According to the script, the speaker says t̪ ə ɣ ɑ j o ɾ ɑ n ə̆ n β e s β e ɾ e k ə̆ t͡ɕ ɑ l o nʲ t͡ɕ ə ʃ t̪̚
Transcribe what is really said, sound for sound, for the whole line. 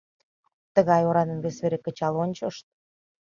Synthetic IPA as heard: t̪ ə ɣ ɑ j o ɾ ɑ n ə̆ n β e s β e ɾ e k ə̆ t͡ɕ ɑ l o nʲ t͡ɕ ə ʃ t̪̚